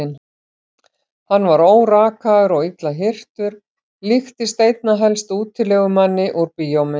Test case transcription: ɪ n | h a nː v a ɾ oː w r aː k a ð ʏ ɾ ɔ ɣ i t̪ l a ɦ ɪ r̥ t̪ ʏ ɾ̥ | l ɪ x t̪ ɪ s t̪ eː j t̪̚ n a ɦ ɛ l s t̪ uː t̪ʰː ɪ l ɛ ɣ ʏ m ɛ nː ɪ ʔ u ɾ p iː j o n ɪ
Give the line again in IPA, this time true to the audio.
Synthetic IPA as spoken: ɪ n | h a nː v a ɾ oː w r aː k a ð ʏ ɾ ɔ ɣ i t̪ l a ɦ ɪ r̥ t̪ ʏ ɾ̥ | l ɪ x t̪ ɪ s t̪ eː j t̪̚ n a ɦ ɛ l s t̪ uː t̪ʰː ɪ l ɛ ɣ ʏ m a nː ɪ ʔ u ɾ p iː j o m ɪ